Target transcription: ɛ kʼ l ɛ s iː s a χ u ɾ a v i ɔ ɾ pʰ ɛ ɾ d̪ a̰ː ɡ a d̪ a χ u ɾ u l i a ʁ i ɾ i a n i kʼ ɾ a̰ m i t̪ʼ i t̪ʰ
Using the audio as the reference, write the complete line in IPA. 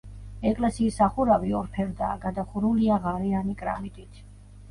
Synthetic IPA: ɛ kʼ l ɛ s iː s a χ u ɾ a v i ɔ ɾ pʰ ɛ ɾ d̪ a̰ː ɡ a d̪ a χ u ɾ u l i a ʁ a ɾ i a n i kʼ ɾ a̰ m i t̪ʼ i t̪ʰ